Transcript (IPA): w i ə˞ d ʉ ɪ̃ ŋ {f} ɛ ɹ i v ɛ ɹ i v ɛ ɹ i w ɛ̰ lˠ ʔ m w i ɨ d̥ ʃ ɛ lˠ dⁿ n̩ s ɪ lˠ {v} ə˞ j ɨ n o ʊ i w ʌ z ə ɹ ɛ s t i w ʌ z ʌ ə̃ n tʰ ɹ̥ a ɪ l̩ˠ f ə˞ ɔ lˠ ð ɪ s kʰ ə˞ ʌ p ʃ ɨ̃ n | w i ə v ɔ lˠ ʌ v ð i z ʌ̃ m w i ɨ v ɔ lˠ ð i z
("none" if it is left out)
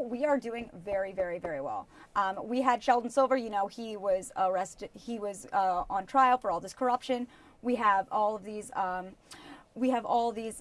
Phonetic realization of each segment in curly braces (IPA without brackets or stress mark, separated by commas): v, v